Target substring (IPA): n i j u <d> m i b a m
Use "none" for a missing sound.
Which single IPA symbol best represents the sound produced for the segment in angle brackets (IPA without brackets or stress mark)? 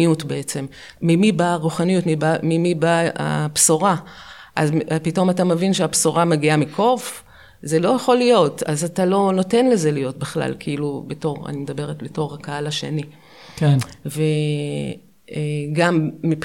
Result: t